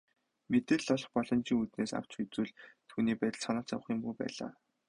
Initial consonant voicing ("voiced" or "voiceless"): voiced